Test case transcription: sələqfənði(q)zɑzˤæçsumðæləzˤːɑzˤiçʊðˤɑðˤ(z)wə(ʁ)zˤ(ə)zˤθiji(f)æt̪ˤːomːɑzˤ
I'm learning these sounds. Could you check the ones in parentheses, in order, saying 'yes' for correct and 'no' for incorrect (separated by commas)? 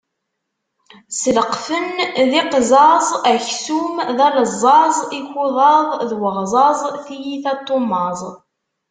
yes, no, yes, no, no